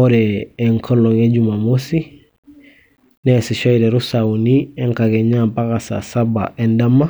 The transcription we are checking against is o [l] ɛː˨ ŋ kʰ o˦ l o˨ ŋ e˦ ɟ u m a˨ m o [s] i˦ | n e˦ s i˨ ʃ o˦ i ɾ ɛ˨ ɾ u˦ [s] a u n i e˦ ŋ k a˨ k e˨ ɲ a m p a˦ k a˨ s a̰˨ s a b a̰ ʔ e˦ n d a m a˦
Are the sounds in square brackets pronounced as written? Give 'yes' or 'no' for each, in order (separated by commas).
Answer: no, yes, yes